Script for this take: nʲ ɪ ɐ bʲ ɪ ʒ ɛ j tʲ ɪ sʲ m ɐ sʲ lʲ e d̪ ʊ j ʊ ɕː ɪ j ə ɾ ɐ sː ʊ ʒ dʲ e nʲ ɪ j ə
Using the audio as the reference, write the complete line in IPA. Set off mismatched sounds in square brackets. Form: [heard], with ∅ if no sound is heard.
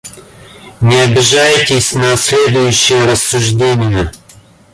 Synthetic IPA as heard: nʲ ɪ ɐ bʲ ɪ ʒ [a] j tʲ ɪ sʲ [n] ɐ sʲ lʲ e d̪ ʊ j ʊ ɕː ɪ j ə ɾ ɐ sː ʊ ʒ dʲ e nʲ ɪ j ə